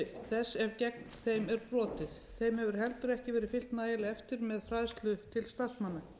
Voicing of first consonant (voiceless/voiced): voiceless